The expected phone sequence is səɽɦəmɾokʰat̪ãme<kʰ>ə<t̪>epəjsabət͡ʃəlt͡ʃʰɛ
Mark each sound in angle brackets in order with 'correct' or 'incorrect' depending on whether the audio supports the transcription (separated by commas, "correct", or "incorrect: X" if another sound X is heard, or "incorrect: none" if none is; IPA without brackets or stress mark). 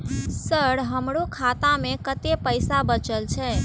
incorrect: k, correct